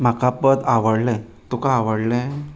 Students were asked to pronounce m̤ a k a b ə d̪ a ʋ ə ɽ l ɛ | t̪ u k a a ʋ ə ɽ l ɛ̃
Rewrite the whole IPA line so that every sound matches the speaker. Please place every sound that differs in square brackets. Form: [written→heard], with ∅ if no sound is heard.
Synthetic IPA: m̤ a k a [b→p] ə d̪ a ʋ ə ɽ l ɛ | t̪ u k a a ʋ ə ɽ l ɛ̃